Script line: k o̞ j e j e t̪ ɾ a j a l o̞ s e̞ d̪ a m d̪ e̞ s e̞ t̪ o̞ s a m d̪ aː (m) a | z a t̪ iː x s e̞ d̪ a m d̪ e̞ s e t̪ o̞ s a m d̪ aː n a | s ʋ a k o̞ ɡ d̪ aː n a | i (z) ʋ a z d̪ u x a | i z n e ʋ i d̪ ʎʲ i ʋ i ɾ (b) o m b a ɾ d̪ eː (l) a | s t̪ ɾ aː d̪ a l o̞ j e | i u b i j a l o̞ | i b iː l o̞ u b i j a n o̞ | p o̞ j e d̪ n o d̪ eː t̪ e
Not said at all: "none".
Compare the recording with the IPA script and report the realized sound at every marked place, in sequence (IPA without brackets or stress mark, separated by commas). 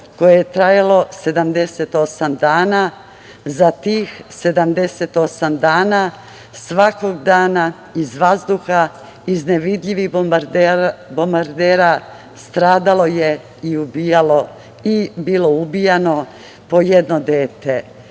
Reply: n, z, b, ɾ